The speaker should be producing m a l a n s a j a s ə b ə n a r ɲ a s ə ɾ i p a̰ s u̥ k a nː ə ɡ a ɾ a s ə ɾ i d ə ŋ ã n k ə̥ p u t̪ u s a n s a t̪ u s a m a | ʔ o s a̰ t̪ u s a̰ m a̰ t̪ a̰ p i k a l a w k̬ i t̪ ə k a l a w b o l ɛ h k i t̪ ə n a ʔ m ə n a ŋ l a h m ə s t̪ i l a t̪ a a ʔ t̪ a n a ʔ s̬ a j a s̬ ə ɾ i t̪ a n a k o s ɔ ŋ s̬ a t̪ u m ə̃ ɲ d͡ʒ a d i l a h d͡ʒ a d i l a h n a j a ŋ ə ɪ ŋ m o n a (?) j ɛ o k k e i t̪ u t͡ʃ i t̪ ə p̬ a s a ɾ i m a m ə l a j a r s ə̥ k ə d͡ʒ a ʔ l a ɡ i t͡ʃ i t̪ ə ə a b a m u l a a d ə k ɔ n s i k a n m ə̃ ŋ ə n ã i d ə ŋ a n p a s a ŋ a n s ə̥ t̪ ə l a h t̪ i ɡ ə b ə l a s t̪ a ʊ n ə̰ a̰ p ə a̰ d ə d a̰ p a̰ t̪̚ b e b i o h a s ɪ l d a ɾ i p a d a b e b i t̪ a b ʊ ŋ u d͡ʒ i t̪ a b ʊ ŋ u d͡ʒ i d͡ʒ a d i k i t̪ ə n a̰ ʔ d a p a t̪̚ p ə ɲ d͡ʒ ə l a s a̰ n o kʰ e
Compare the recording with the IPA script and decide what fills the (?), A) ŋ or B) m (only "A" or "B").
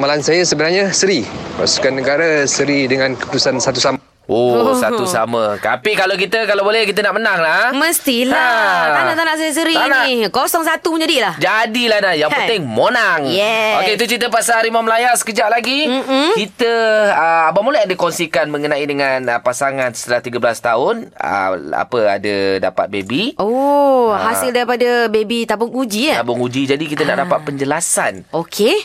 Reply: A